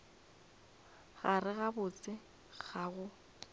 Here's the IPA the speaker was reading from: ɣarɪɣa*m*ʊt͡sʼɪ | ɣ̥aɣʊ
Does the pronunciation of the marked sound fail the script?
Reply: yes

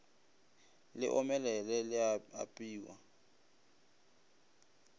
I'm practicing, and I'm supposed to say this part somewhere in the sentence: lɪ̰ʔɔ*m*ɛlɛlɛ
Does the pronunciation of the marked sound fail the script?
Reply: no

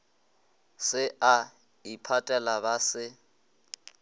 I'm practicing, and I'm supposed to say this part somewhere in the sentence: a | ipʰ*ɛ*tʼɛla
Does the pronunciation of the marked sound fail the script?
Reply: yes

